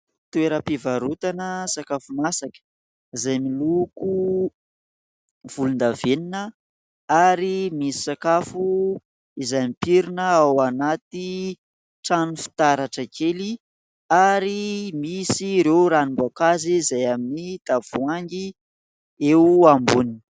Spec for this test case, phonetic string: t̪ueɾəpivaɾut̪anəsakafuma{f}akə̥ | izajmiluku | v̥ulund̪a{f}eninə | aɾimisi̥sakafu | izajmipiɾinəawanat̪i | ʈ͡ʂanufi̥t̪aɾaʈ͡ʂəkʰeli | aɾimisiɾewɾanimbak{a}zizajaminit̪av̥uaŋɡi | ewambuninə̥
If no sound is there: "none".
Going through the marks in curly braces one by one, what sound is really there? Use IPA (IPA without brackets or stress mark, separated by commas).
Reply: s, v, a